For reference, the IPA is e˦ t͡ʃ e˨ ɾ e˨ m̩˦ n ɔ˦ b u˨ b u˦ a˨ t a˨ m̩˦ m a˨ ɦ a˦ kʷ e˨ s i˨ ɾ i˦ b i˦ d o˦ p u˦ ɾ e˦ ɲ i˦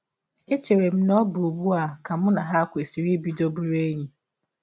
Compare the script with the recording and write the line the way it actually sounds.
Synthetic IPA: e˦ t͡ʃ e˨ ɾ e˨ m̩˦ n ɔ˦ b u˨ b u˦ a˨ k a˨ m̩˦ n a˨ ɦ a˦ kʷ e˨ s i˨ ɾ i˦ b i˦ d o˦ b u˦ ɾ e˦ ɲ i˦